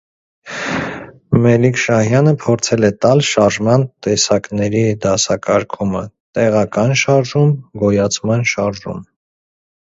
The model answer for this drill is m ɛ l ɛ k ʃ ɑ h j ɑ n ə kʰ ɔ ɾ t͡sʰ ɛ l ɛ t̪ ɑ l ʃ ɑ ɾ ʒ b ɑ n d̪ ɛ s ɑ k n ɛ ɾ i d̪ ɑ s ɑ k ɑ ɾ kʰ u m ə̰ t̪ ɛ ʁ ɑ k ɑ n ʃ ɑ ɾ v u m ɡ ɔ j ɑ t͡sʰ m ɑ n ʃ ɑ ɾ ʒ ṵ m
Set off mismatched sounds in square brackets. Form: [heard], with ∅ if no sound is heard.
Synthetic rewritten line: m ɛ l [i] k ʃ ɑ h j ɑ n ə [pʰ] ɔ ɾ t͡sʰ ɛ l ɛ t̪ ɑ l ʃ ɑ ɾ ʒ [m] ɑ n [t̪] ɛ s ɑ k n ɛ ɾ i d̪ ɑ s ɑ k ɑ ɾ kʰ u m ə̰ t̪ ɛ ʁ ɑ k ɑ n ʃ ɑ ɾ [ʒ] u m ɡ ɔ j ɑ t͡sʰ m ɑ n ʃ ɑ ɾ ʒ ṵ m